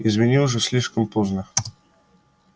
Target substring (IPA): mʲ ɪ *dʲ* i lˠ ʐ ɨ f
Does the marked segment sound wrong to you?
yes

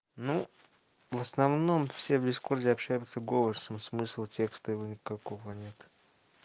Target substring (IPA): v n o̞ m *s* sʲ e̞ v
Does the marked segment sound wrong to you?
yes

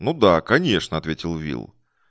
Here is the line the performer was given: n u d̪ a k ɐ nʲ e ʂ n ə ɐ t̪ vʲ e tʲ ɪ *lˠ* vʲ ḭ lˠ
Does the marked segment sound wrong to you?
no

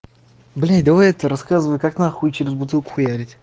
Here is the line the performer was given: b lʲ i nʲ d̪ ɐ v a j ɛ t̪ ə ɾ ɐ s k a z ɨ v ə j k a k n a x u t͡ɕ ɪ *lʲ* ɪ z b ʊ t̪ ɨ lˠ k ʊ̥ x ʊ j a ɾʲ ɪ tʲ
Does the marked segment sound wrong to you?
yes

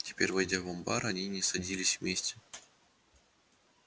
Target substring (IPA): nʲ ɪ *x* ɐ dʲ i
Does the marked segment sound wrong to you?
yes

